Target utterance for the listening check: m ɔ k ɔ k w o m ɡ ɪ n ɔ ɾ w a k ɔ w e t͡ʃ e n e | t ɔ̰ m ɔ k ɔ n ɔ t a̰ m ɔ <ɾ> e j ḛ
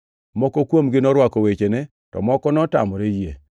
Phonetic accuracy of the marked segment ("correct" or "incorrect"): correct